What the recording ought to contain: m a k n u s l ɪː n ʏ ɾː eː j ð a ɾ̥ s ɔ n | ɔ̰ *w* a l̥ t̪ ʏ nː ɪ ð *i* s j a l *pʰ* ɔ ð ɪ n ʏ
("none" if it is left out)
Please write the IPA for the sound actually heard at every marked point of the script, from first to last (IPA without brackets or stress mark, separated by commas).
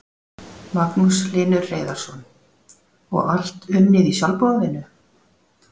ɣ, i, p